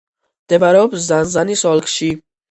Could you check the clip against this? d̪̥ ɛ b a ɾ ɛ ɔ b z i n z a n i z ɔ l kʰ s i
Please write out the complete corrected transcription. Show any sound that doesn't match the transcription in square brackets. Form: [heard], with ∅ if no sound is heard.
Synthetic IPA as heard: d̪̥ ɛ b a ɾ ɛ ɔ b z [a] n z a n i [s] ɔ l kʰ [ʃ] i

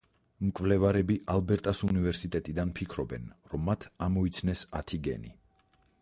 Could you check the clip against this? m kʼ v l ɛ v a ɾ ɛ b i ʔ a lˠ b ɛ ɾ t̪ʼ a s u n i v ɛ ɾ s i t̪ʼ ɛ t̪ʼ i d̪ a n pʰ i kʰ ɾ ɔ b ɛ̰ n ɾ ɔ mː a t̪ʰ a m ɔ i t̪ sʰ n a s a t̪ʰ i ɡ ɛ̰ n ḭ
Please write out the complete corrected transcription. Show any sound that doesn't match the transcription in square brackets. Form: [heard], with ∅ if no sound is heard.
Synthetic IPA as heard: m kʼ v l ɛ v a ɾ ɛ b i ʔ a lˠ b ɛ ɾ t̪ʼ a s u n i v ɛ ɾ s i t̪ʼ ɛ t̪ʼ i d̪ a n pʰ i kʰ ɾ ɔ b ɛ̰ n ɾ ɔ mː a t̪ʰ a m ɔ i t̪ sʰ n [ɛ] s a t̪ʰ i ɡ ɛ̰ n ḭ

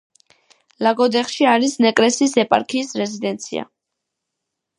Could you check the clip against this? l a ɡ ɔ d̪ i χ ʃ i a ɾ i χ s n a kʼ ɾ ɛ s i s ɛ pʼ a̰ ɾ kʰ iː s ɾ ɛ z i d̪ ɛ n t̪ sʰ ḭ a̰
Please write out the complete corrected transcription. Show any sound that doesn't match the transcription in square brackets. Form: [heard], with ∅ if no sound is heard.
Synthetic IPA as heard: l a ɡ ɔ d̪ [ɛ] χ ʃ i a ɾ i [∅] s n [ɛ] kʼ ɾ ɛ s i s ɛ pʼ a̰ ɾ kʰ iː s ɾ ɛ z i d̪ ɛ n t̪ sʰ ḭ a̰

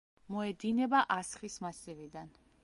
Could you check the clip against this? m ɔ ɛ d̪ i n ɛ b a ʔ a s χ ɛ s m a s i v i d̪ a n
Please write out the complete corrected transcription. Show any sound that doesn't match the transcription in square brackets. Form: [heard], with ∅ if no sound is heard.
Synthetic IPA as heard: m ɔ ɛ d̪ i n ɛ b a ʔ a s χ [i] s m a s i v i d̪ a n

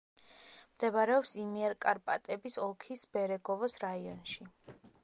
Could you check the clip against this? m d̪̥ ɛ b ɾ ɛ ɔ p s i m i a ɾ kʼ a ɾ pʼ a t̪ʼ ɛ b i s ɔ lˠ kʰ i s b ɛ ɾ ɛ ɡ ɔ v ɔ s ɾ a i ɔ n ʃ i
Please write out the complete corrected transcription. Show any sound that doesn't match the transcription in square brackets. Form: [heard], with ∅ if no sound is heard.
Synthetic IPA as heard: m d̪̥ ɛ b ɾ ɛ ɔ p s i m i [ɛ] ɾ kʼ a ɾ pʼ a t̪ʼ ɛ b i s ɔ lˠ kʰ i s b ɛ ɾ ɛ ɡ ɔ v ɔ s ɾ a i ɔ n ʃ i

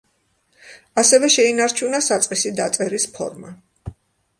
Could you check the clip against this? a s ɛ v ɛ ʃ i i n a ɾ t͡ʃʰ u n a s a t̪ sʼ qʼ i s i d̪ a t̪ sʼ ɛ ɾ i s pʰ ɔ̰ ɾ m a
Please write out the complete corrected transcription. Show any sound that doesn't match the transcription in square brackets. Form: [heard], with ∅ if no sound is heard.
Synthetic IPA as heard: a s ɛ v ɛ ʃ [ɛ] i n a ɾ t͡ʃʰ u n a s a t̪ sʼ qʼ i s i d̪ a t̪ sʼ ɛ ɾ i s pʰ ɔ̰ ɾ m a

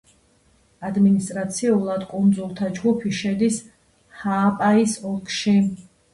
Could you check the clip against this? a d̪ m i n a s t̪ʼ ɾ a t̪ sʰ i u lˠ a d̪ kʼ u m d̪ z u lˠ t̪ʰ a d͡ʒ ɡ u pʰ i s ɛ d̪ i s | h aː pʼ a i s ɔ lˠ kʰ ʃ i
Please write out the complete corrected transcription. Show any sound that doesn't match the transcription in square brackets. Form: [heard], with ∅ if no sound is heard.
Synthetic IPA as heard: a d̪ m i n [i] s t̪ʼ ɾ a t̪ sʰ i u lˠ a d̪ kʼ u [n] d̪ z u lˠ t̪ʰ a d͡ʒ ɡ u pʰ i [ʃ] ɛ d̪ i s | h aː pʼ a i s ɔ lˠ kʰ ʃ i

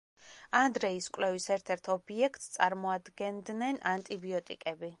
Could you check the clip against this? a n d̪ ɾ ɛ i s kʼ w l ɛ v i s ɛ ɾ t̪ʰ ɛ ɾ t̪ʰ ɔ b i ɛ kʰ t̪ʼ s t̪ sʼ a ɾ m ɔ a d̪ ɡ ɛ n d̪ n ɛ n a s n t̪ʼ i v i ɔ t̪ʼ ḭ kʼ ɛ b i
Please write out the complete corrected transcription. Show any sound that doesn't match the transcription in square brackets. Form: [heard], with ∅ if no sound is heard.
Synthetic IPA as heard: a n d̪ ɾ ɛ i s kʼ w l ɛ v i s ɛ ɾ t̪ʰ ɛ ɾ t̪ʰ ɔ b i ɛ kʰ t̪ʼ s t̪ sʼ a ɾ m ɔ a d̪ ɡ ɛ n d̪ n ɛ n a [∅] n t̪ʼ i [b] i ɔ t̪ʼ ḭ kʼ ɛ b i

